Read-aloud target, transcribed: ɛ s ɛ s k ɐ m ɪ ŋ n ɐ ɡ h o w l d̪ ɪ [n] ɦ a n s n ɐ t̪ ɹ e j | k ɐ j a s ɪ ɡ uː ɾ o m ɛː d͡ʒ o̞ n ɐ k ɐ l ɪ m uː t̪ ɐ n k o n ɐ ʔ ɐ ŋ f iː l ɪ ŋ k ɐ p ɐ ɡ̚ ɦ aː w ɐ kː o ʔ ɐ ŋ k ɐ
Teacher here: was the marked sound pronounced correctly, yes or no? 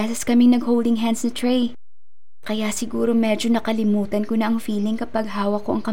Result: no